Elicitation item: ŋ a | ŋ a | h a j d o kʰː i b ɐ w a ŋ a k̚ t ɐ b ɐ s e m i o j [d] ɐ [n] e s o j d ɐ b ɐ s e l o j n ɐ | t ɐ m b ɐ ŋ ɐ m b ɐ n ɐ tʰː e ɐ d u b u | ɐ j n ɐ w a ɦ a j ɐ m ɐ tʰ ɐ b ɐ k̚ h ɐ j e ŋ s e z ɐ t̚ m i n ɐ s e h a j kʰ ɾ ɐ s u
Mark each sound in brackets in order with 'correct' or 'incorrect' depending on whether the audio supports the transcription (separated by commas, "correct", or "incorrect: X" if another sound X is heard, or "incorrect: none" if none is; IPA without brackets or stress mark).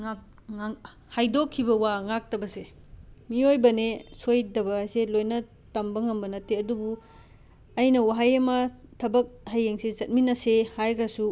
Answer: incorrect: b, correct